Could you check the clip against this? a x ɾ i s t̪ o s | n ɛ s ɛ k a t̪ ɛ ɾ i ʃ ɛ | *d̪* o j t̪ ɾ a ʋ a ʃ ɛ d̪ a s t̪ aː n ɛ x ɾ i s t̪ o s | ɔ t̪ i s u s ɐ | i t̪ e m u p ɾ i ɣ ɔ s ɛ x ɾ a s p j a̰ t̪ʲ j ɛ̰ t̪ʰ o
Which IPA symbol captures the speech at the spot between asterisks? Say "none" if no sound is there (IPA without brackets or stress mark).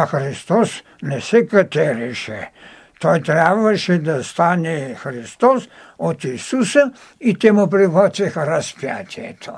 t̪